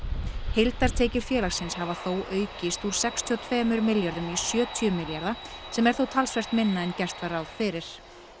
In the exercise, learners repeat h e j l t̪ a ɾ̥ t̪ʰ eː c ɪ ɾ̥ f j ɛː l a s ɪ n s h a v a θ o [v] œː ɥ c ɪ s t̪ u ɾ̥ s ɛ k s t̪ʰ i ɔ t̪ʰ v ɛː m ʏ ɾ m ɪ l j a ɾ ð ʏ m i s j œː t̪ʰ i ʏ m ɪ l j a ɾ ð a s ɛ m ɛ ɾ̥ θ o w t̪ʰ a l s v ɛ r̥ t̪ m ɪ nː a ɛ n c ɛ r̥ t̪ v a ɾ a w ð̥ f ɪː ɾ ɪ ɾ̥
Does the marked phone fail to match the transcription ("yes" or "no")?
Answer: yes